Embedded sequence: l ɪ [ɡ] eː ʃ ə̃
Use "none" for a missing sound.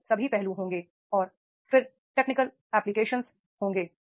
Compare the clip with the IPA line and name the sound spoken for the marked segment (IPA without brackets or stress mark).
k